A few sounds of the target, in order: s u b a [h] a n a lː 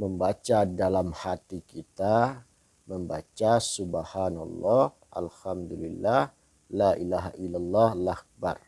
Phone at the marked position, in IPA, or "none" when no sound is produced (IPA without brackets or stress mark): h